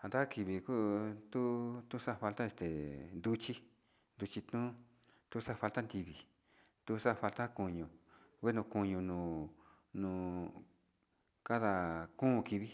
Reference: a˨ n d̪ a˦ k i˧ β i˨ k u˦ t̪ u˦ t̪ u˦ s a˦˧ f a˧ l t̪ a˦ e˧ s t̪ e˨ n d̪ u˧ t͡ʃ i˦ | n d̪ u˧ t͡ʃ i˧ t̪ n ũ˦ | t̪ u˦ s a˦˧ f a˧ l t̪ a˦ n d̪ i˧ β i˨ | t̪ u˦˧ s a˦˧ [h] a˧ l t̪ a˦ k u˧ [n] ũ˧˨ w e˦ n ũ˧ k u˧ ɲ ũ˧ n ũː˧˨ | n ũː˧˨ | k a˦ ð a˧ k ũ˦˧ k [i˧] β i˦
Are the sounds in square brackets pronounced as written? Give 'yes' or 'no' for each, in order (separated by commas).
no, no, yes